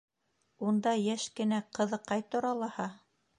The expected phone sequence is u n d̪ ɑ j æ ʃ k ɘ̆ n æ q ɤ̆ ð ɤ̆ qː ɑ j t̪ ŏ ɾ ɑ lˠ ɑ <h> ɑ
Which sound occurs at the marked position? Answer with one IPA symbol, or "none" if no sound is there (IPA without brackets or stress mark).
h